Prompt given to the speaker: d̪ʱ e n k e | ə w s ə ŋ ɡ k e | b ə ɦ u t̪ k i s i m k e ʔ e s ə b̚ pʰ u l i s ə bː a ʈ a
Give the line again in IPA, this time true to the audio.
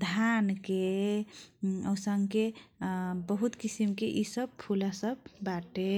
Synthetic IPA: d̪ʱ a n k e | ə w s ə ŋ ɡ k e | b ə ɦ u t̪ k i s i m k e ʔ i s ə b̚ pʰ u l a s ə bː a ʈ e